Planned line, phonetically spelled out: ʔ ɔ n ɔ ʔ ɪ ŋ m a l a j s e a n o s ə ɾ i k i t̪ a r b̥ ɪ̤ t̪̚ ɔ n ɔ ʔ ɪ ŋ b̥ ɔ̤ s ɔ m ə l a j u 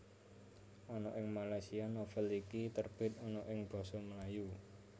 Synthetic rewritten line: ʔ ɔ n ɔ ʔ ɪ ŋ m a l a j s i a n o f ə l i k i t̪ ə r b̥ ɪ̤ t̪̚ ɔ n ɔ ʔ ɪ ŋ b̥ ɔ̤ s ɔ m ə l a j u